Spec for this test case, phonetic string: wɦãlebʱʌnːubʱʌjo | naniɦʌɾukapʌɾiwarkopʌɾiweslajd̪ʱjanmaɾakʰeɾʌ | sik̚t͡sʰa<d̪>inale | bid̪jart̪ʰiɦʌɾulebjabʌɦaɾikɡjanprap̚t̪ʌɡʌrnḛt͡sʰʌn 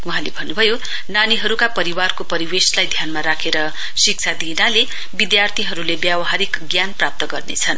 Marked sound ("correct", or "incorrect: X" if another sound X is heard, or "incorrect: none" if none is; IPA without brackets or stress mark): correct